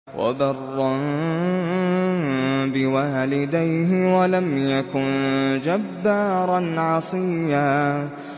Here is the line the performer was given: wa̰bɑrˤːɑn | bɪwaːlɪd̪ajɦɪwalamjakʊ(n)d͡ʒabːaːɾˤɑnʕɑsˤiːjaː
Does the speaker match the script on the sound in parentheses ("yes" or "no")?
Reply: yes